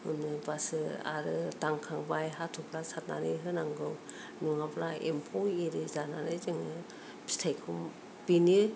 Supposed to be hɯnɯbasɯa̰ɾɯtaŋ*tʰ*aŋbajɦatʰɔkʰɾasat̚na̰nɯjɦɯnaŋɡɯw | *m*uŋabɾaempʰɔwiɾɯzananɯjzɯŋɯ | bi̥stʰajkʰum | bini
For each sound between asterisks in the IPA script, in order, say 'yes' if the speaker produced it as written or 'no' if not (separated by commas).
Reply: no, no